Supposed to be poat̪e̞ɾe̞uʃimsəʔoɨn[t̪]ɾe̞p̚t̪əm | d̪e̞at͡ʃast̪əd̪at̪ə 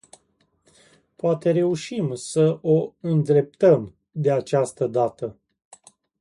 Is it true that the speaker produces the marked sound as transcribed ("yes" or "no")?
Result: no